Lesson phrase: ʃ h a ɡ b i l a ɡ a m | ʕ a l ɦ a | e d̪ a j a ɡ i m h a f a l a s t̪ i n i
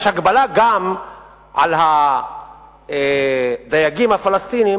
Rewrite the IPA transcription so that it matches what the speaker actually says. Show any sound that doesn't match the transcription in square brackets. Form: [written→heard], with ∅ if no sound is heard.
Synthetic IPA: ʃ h a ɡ b [i→a] l a ɡ a m | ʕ a l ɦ a | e d̪ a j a ɡ i m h a f a l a s t̪ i n i